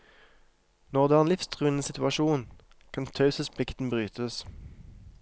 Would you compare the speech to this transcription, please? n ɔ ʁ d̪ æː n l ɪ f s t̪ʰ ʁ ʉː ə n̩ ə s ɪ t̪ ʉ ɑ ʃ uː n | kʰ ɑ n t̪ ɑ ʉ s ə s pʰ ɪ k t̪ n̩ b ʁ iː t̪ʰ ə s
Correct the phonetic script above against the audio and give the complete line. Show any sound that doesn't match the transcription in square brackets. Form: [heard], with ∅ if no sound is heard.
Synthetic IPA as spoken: n ɔ ʁ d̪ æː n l ɪ f s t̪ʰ ʁ ʉː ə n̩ ə s ɪ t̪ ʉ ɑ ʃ uː n | kʰ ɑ n [t̪ʰ] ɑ ʉ s ə s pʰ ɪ k t̪ n̩ b ʁ [yː] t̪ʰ ə s